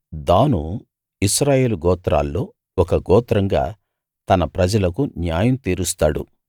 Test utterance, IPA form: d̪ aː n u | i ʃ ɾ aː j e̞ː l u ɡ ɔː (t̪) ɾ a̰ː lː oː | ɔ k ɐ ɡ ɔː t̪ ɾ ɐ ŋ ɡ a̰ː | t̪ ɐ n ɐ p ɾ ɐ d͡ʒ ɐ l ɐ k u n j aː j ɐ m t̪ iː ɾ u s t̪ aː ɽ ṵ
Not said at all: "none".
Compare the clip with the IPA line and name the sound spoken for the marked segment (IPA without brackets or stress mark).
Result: t̪